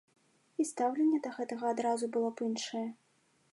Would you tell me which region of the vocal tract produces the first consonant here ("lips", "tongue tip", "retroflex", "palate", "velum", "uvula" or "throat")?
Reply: tongue tip